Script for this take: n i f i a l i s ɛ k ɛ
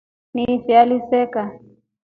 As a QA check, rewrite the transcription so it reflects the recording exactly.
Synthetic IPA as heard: n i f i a l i s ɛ k a